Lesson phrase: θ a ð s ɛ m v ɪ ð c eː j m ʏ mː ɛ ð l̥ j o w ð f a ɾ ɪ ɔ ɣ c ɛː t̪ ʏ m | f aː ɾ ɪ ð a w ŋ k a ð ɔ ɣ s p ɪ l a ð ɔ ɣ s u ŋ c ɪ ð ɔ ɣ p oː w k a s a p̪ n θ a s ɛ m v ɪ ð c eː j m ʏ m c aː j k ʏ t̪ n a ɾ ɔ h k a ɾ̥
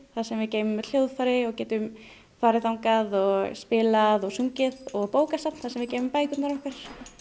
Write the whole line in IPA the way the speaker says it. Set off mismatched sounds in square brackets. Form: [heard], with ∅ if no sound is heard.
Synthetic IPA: θ a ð s ɛ m v ɪ ð c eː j m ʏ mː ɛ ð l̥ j o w ð f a ɾ ɪ ɔ ɣ c ɛː t̪ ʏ m | f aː ɾ ɪ [θ] a w ŋ k a ð ɔ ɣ s p ɪ l a ð ɔ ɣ s u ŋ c ɪ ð ɔ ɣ p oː w k a s a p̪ n θ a s ɛ m v ɪ ð c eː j m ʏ m [p] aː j k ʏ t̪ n a ɾ ɔ h k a ɾ̥